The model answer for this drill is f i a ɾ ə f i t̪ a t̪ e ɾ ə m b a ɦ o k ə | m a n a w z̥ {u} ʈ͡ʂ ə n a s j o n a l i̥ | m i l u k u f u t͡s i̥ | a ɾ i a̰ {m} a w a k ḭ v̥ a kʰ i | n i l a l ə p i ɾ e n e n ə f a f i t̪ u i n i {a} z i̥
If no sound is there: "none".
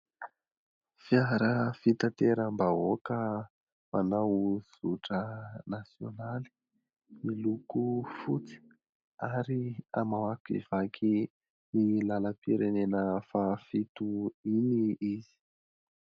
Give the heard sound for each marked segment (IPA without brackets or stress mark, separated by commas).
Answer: u, m, i